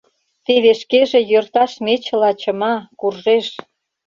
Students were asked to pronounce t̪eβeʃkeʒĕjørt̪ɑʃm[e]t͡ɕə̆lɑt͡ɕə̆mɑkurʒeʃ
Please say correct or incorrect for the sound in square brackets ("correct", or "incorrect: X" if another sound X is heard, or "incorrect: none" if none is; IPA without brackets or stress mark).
correct